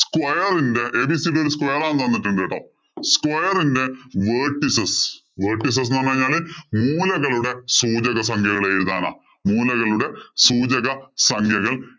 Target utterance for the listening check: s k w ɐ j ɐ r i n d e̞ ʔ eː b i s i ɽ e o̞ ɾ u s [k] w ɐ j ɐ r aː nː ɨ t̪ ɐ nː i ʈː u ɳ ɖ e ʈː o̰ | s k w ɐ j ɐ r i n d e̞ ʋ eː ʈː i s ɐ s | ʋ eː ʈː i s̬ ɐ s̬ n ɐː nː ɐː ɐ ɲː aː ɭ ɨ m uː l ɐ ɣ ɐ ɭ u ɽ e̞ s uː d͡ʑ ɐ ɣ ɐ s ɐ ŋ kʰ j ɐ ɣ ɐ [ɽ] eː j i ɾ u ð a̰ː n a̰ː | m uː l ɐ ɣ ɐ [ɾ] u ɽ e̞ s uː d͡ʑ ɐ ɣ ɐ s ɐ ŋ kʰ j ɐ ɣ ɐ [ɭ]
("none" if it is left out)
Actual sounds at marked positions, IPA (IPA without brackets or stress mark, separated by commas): k, ɭ, ɭ, ɭ